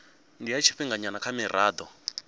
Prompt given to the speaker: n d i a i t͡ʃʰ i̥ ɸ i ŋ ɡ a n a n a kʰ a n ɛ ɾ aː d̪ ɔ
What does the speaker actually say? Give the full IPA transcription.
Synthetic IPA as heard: n d i a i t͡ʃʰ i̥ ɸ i ŋ ɡ a ɲ a n a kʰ a m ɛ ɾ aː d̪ ɔ